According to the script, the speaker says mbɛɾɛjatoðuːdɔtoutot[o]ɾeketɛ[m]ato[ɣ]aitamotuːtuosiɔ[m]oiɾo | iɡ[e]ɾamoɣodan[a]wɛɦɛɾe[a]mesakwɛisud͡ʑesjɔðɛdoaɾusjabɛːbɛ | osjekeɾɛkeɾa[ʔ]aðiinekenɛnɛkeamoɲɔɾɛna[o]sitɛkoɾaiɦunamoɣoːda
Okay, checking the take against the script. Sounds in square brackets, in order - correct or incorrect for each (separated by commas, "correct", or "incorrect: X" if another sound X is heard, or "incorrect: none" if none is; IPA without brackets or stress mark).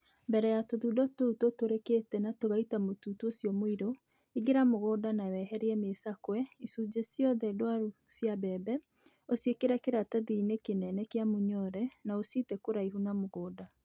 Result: correct, incorrect: n, correct, correct, correct, correct, incorrect: ɛ, incorrect: t, correct